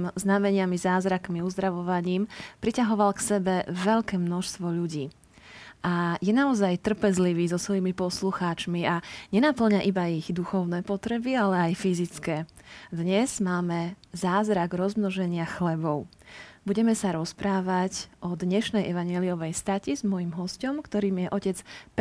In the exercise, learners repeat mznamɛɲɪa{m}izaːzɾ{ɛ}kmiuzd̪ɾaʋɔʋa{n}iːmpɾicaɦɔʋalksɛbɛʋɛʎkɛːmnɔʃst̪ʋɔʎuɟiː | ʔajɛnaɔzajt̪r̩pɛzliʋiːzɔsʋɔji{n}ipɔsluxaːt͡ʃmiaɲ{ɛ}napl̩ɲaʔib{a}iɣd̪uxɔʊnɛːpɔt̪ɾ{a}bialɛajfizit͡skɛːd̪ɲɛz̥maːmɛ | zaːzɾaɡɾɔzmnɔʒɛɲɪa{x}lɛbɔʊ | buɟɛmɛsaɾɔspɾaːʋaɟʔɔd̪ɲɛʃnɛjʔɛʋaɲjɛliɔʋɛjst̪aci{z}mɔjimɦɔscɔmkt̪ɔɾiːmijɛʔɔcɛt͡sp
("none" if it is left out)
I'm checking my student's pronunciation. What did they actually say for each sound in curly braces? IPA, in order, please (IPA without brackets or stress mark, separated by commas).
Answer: m, a, ɲ, m, ɛ, a, ɛ, x, z